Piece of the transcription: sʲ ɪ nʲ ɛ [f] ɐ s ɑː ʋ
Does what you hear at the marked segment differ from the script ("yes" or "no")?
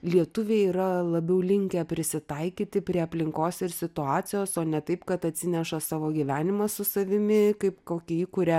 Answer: yes